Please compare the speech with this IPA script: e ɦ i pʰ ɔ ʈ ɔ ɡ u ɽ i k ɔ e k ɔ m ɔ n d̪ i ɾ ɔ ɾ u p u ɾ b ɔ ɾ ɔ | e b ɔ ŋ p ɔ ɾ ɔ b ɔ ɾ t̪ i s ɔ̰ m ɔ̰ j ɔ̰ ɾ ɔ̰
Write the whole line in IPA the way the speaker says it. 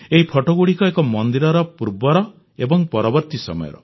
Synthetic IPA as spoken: e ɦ i pʰ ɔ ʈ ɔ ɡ u ɽ i k ɔ e k ɔ m ɔ n d̪ i ɾ ɔ ɾ ɔ p u ɾ b ɔ ɾ ɔ | e b ɔ ŋ p ɔ ɾ ɔ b ɔ ɾ t̪ i s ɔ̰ m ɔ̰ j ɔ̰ ɾ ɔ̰